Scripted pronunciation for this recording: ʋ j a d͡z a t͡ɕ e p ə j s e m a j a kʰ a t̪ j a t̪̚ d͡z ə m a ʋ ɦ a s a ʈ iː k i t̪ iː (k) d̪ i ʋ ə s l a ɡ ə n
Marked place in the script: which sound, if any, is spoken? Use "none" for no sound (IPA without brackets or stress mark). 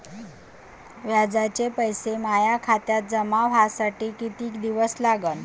k